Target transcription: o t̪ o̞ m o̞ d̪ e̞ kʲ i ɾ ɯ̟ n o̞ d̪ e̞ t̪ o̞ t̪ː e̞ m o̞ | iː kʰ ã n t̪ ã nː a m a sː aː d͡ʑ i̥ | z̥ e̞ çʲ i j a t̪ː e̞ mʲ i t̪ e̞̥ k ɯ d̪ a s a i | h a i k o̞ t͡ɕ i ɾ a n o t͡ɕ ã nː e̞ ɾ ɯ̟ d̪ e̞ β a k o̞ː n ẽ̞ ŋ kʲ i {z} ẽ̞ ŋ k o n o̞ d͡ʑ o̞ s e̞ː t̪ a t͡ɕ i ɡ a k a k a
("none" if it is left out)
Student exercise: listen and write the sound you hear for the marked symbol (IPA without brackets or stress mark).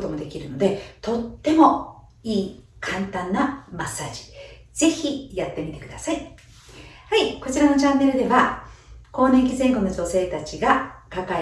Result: z